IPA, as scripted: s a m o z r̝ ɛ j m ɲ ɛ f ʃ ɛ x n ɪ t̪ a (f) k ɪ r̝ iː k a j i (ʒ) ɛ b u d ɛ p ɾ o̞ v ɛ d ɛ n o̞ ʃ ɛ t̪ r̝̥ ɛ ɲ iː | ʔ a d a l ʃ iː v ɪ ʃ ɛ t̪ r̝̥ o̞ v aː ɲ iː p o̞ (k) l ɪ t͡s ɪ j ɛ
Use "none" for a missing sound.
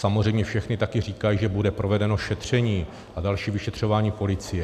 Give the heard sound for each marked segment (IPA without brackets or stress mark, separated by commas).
none, ʒ, none